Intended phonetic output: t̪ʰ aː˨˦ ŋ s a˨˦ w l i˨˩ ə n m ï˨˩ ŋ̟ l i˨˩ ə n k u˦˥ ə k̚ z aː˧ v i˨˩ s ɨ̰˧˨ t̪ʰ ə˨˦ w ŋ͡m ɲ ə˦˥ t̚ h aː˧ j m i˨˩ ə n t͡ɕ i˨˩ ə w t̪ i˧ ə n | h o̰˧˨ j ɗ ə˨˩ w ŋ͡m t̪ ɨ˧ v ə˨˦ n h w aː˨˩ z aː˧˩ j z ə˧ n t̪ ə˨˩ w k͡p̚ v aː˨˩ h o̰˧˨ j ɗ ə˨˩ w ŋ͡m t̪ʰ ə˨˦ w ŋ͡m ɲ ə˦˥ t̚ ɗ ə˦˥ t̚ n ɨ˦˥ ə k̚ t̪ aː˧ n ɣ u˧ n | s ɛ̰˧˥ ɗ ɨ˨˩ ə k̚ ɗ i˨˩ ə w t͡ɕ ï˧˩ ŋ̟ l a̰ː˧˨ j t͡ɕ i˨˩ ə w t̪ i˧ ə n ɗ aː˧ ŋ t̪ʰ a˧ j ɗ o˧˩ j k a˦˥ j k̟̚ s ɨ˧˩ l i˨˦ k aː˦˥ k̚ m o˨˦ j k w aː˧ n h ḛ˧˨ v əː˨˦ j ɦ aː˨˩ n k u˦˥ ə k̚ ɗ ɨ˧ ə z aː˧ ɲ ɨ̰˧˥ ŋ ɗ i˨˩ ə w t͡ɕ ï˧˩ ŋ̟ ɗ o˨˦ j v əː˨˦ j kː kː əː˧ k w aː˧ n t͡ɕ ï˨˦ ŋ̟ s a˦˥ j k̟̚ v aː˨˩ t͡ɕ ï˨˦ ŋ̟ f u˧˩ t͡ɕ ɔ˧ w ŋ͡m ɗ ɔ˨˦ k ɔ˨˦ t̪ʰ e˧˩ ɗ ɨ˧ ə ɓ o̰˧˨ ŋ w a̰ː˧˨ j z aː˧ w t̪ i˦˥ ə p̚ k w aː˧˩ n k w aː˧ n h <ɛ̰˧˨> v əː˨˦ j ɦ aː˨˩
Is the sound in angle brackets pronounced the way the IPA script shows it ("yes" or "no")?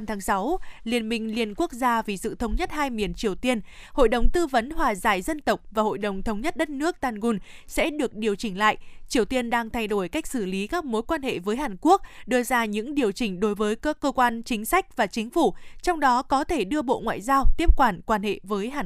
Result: no